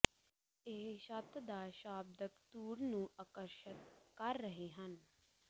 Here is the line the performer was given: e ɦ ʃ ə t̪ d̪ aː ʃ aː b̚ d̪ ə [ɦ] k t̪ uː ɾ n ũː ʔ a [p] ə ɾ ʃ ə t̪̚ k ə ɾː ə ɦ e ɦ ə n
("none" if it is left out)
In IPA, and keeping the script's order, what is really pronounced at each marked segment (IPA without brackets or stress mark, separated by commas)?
none, k